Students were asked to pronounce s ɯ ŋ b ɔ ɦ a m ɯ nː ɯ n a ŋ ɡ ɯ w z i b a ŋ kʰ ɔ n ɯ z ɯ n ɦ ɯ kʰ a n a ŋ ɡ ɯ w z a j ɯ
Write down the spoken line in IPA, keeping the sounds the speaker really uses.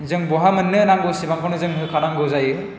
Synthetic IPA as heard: z ɯ ŋ b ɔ ɦ a m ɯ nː ɯ n a ŋ ɡ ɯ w s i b a ŋ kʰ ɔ n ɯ z ɯ ŋ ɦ ɯ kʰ a n a ŋ ɡ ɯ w z a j ɯ